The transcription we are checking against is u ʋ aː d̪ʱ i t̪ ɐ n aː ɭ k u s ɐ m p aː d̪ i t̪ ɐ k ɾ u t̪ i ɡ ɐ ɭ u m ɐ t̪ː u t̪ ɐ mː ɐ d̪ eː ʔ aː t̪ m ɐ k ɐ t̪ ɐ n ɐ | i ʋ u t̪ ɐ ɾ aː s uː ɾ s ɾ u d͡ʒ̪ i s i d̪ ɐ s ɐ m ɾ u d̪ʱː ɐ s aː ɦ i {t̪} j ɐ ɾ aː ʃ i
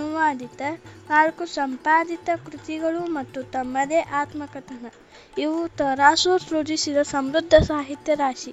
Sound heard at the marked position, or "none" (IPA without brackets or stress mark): t̪